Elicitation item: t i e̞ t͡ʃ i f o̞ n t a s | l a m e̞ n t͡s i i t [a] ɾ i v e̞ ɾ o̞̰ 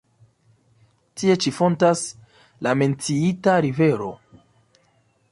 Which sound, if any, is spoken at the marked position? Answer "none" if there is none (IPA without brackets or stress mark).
a